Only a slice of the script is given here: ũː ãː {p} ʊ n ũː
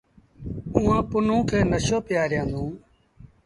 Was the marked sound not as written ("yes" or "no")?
no